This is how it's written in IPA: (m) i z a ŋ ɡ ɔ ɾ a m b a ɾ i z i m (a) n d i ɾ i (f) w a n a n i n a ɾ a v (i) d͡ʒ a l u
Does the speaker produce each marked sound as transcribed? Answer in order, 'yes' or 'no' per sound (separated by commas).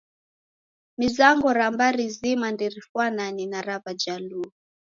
yes, yes, yes, no